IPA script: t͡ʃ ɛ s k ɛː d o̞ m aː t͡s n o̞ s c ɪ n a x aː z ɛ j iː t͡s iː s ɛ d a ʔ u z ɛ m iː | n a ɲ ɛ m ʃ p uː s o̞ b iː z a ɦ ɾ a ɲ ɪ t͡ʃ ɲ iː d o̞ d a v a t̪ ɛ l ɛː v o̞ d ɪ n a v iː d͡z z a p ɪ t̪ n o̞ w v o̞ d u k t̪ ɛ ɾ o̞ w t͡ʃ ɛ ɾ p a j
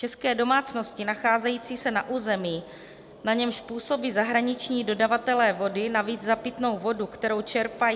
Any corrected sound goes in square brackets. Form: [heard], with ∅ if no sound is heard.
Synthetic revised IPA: t͡ʃ ɛ s k ɛː d o̞ m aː t͡s n o̞ s c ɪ n a x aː z ɛ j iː t͡s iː s ɛ [n] a ʔ [uː] z ɛ m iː | n a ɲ ɛ m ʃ p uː s o̞ b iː z a ɦ ɾ a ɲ ɪ t͡ʃ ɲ iː d o̞ d a v a t̪ ɛ l ɛː v o̞ d ɪ n a v iː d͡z z a p ɪ t̪ n o̞ w v o̞ d u k t̪ ɛ ɾ o̞ w t͡ʃ ɛ ɾ p a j